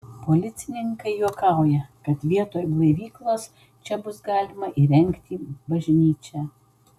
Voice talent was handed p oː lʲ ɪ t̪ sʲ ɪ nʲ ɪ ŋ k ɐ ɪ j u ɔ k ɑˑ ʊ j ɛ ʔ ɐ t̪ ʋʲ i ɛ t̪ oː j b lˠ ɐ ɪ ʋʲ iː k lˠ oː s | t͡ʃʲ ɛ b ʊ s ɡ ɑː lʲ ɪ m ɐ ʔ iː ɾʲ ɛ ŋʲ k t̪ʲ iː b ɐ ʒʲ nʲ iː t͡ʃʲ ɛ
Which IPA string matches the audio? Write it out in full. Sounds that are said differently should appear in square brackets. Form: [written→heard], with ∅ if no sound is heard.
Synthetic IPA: p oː lʲ ɪ t̪ sʲ ɪ nʲ ɪ ŋ k ɐ ɪ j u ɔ k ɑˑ ʊ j ɛ [ʔ→k] ɐ t̪ ʋʲ i ɛ t̪ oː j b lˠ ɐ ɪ ʋʲ iː k lˠ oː s | t͡ʃʲ ɛ b ʊ s ɡ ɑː lʲ ɪ m ɐ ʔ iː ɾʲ ɛ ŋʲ k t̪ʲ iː b ɐ ʒʲ nʲ iː t͡ʃʲ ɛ